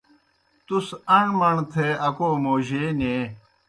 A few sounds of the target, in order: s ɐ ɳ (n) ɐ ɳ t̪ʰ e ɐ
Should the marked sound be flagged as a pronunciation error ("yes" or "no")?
yes